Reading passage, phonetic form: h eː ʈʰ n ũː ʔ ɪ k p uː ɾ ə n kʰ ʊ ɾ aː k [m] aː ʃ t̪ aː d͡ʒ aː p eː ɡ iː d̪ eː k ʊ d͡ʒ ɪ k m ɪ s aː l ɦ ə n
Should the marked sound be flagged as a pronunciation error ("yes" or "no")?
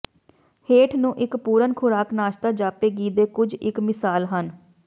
yes